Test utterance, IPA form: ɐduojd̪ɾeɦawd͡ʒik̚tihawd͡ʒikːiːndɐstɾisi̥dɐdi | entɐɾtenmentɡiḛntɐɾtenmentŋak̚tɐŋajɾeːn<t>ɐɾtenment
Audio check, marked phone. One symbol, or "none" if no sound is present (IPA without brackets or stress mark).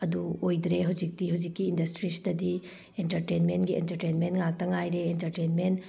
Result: t